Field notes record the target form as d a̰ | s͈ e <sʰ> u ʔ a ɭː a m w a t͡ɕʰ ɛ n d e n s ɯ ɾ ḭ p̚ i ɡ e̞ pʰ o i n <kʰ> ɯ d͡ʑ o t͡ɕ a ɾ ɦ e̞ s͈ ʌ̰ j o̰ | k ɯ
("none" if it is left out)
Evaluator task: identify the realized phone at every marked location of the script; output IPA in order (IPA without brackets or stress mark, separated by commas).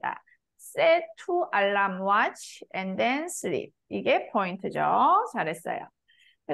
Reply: tʰ, tʰ